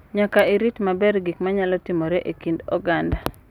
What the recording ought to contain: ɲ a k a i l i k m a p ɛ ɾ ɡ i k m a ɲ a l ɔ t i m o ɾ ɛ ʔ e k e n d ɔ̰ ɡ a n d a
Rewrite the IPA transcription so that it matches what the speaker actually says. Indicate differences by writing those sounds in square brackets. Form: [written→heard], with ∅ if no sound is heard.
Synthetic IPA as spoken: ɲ a k a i [l→ɾ] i [k→t] m a [p→b] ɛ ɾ ɡ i k m a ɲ a l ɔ t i m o ɾ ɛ ʔ e k [e→i] n d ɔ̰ ɡ a n d a